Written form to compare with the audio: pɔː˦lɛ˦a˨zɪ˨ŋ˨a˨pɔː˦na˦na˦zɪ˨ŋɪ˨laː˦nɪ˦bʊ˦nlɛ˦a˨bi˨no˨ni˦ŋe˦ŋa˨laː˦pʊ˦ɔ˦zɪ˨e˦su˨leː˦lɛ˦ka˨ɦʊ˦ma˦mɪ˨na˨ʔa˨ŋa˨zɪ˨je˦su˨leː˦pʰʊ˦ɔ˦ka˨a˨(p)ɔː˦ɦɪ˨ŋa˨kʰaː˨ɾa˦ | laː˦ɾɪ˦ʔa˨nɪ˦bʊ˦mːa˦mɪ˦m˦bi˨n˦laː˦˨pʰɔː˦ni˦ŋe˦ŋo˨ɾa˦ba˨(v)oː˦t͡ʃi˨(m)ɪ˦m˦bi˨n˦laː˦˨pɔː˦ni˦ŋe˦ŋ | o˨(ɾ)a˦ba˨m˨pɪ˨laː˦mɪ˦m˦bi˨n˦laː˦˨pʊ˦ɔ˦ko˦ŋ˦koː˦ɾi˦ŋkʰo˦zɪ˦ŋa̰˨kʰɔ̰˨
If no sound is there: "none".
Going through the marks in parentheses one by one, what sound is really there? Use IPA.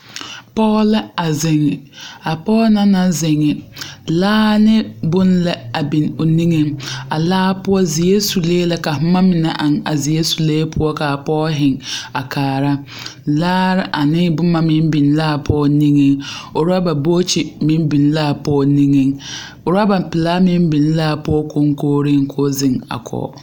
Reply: p, b, m, ɾ

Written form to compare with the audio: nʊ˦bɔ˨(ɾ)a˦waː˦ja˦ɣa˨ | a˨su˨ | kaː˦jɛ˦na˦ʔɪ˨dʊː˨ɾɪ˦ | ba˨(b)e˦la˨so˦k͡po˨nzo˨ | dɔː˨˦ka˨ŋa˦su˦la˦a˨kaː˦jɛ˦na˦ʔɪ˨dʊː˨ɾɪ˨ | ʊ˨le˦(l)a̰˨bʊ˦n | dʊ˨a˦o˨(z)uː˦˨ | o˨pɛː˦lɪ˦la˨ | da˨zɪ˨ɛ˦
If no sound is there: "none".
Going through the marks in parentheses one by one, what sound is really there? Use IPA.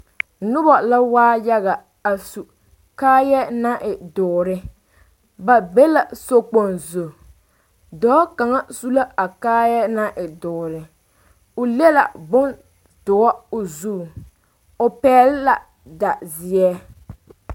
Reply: l, b, l, z

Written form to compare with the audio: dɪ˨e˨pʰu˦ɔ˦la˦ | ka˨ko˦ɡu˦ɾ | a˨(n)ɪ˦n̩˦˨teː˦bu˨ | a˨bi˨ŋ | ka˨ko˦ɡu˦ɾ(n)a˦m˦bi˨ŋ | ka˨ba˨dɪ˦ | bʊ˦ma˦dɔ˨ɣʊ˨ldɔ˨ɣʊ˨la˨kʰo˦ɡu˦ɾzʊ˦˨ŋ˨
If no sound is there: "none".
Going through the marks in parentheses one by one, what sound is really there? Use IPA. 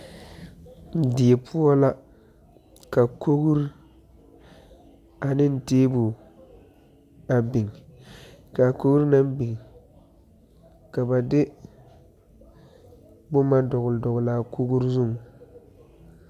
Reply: n, n

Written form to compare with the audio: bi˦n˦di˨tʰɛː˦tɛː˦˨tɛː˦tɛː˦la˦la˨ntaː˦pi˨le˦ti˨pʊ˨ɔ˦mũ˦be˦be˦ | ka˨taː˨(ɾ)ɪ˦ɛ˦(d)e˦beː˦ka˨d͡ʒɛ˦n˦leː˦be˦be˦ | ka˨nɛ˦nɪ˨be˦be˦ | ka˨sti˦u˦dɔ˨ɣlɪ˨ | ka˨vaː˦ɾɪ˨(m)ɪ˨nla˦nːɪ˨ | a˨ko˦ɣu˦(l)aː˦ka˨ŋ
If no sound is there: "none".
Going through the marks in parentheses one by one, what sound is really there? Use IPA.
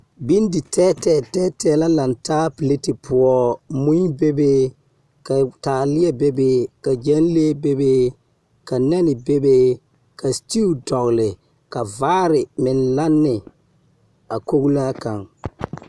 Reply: l, b, m, l

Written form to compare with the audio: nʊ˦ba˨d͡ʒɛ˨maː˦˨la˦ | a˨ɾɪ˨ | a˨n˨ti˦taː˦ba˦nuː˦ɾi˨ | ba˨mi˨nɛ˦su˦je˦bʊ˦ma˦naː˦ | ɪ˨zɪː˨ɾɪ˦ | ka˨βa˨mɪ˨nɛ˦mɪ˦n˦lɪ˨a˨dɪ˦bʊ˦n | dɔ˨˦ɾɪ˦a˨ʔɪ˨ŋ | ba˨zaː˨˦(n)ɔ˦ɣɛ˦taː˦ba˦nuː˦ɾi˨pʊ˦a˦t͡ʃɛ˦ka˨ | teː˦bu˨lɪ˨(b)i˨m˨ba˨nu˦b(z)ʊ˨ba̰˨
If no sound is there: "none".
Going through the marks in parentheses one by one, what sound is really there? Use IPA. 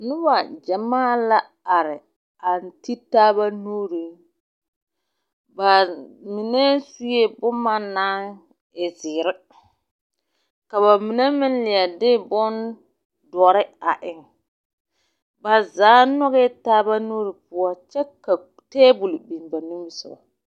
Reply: n, b, s

